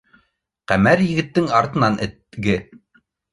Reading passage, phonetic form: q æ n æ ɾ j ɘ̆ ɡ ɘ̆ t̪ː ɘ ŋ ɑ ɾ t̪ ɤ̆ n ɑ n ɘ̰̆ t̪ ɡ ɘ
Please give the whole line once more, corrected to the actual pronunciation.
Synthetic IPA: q æ m æ ɾ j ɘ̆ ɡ ɘ̆ t̪ː ɘ ŋ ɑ ɾ t̪ ɤ̆ n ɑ n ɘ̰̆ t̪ ɡ ɘ